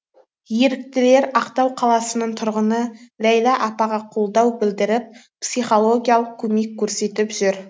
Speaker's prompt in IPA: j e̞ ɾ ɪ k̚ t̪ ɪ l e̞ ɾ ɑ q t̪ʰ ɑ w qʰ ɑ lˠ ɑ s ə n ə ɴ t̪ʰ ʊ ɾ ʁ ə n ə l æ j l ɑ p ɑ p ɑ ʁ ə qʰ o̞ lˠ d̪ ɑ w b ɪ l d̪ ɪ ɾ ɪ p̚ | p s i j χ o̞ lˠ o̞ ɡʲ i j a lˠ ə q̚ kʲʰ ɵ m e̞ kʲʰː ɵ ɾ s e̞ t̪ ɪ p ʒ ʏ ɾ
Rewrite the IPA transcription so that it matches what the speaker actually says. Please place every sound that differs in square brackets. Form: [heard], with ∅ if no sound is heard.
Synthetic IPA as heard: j e̞ ɾ ɪ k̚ t̪ ɪ l e̞ ɾ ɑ q [t̪] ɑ w qʰ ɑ lˠ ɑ s ə n ə ɴ t̪ʰ ʊ ɾ ʁ ə n ə l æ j l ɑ [ʔ] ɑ p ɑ ʁ [ɑ] qʰ o̞ lˠ d̪ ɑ w b ɪ l d̪ ɪ ɾ ɪ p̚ | p s i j χ o̞ lˠ o̞ ɡʲ i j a lˠ ə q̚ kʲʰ ɵ m e̞ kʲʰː ɵ ɾ s e̞ t̪ ɪ p ʒ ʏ ɾ